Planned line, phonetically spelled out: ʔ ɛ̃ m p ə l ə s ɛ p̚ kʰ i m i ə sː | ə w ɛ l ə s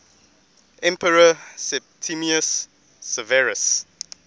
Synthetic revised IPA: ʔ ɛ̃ m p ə ɹ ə s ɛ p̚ tʰ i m i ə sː | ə v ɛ ɹ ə s